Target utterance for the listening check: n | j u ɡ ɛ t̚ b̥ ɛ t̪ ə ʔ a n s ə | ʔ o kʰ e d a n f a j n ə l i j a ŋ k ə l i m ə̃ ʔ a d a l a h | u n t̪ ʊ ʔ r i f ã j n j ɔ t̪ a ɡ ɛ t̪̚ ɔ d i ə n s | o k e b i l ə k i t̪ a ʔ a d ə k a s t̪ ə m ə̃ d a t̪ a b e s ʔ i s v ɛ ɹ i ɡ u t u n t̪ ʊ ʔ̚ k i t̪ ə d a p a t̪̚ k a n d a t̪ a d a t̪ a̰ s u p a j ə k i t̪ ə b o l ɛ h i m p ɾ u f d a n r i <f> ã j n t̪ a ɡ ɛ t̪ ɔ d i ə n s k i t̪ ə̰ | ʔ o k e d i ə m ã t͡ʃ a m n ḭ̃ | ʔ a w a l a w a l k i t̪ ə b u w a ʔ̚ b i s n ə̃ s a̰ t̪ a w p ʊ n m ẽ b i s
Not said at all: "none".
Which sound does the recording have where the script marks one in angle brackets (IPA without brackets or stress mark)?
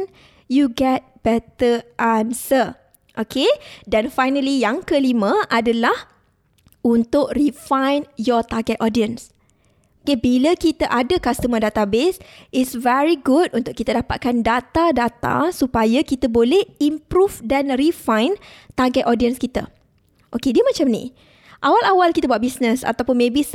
f